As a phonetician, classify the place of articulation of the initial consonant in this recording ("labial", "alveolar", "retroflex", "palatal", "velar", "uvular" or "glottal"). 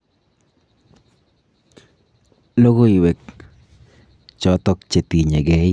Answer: alveolar